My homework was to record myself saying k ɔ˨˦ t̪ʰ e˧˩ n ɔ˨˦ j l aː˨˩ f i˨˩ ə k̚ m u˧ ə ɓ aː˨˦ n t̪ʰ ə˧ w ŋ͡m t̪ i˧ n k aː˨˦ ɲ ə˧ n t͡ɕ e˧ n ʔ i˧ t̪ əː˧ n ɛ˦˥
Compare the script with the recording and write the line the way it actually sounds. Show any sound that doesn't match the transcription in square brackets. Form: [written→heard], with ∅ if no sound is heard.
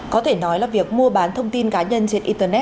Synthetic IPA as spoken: k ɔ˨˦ t̪ʰ e˧˩ n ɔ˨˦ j l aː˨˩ [f→v] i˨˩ ə k̚ m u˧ ə ɓ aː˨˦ n t̪ʰ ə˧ w ŋ͡m t̪ i˧ n k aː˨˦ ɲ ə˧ n t͡ɕ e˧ n ʔ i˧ t̪ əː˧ n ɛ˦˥